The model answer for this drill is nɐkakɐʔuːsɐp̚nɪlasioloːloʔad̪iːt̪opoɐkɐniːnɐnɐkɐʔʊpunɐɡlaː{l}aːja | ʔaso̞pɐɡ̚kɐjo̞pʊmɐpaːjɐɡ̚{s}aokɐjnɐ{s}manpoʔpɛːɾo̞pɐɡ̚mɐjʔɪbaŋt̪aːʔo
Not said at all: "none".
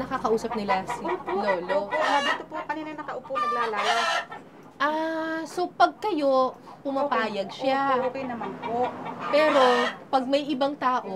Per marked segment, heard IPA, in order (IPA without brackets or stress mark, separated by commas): l, ʃ, none